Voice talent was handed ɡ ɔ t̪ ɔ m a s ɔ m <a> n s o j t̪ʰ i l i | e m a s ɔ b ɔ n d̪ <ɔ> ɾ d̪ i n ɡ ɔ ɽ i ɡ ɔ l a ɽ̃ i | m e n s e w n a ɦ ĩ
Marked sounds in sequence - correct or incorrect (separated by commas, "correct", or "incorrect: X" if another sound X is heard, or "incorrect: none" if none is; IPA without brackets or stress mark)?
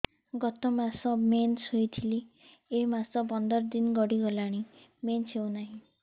incorrect: e, correct